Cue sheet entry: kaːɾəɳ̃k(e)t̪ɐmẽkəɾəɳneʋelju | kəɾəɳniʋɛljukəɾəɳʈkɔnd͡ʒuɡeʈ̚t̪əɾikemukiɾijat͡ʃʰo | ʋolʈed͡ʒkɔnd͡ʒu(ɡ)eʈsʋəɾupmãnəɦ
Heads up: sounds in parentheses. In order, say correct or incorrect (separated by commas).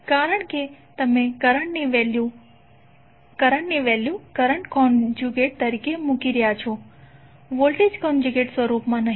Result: correct, correct